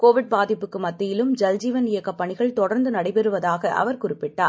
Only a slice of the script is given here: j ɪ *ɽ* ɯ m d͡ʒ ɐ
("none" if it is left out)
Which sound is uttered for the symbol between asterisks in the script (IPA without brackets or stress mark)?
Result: l